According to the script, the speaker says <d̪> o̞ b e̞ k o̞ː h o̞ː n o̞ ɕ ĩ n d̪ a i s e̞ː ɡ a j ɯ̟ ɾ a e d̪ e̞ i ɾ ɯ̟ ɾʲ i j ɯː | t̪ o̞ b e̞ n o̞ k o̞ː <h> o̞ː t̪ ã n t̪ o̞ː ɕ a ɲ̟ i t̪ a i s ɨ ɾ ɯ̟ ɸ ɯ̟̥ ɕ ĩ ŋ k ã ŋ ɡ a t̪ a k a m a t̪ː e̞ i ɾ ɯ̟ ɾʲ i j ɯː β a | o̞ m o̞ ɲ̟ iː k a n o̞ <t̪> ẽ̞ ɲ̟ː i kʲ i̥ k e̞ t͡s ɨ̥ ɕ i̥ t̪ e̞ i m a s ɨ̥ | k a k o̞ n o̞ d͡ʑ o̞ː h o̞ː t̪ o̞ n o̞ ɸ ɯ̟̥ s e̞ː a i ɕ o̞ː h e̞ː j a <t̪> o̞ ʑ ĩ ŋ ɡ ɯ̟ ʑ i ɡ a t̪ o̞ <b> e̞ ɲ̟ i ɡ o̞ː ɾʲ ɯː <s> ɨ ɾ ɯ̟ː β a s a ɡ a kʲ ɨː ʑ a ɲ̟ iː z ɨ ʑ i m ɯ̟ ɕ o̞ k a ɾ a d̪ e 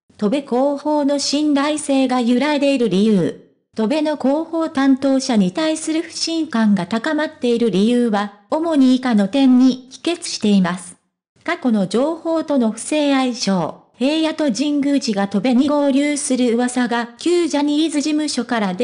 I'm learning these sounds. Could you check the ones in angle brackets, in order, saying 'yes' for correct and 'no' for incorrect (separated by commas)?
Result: no, yes, yes, yes, yes, yes